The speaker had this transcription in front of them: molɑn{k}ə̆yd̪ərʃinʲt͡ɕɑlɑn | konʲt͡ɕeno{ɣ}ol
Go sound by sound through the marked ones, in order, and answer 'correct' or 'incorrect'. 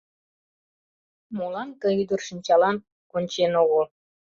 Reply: correct, correct

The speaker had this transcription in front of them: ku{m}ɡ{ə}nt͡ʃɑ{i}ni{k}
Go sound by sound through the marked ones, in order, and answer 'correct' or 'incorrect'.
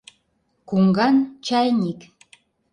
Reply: incorrect: ŋ, incorrect: ɑ, incorrect: j, correct

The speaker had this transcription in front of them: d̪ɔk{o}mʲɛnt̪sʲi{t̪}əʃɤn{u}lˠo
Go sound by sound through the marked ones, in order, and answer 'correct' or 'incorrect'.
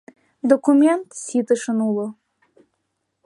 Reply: incorrect: u, correct, correct

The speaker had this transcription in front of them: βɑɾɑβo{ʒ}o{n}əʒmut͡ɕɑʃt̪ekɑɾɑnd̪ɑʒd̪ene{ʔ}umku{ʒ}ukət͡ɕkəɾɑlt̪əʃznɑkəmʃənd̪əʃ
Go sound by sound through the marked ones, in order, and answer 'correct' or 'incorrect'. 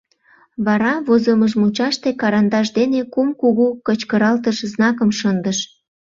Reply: incorrect: z, incorrect: m, incorrect: k, incorrect: ɣ

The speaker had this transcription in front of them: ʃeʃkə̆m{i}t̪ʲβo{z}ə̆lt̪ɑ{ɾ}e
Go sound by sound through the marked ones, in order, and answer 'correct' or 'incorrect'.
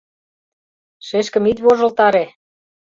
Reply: correct, incorrect: ʒ, correct

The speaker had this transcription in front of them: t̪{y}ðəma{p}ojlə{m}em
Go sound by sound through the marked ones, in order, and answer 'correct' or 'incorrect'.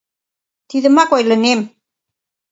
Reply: incorrect: i, incorrect: k, incorrect: n

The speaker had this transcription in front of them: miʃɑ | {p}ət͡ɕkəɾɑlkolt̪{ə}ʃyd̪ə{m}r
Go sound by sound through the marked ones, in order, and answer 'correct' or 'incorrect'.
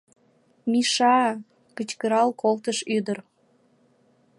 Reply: incorrect: k, correct, incorrect: none

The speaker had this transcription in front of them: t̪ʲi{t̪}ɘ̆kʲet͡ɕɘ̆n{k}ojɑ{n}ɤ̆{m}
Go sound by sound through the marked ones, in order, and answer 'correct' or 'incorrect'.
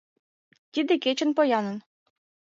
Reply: incorrect: d̪, incorrect: p, correct, incorrect: n

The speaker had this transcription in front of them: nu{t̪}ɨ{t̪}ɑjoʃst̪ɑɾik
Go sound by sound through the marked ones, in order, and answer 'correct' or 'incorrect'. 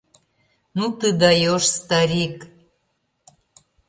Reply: correct, incorrect: d̪

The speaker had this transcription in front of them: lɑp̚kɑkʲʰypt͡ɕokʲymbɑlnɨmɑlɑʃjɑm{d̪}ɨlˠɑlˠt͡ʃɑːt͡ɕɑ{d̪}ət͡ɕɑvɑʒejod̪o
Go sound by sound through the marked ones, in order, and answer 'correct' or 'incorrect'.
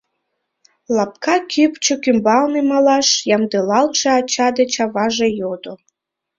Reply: correct, correct

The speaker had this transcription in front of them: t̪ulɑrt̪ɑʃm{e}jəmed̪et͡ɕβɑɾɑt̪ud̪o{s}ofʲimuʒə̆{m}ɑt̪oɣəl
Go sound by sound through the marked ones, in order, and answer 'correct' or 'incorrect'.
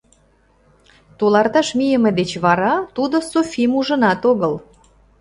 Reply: incorrect: i, correct, incorrect: n

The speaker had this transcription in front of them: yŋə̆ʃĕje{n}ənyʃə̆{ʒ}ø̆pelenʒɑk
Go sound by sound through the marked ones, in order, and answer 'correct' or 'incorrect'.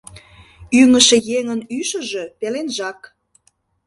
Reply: incorrect: ŋ, correct

